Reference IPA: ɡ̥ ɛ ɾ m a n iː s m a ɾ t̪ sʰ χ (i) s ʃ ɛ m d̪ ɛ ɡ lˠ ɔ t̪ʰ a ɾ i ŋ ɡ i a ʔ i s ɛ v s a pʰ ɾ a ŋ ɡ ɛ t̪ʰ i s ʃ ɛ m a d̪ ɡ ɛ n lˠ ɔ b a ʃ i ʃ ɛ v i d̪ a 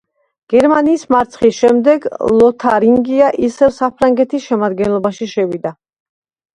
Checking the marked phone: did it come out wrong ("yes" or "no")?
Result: no